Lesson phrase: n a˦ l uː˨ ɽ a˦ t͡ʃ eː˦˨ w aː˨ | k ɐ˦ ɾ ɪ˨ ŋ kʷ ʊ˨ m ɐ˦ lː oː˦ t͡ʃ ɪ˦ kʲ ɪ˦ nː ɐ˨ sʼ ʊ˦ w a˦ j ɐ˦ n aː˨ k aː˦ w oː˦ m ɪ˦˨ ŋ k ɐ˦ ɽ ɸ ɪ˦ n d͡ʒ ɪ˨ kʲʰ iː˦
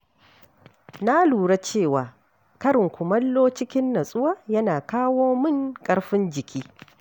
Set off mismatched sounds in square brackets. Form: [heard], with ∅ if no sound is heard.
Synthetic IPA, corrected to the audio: n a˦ l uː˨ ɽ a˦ t͡ʃ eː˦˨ w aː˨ | k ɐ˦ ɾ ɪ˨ ŋ kʷ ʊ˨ m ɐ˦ lː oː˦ t͡ʃ ɪ˦ kʲ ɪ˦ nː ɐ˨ sʼ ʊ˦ w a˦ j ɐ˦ n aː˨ k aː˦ w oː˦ m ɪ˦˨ ŋ [kʼ] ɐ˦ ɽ ɸ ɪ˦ n d͡ʒ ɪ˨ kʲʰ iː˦